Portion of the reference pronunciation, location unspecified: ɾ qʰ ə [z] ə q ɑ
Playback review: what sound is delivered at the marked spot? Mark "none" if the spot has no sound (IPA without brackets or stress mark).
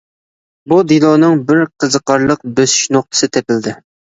z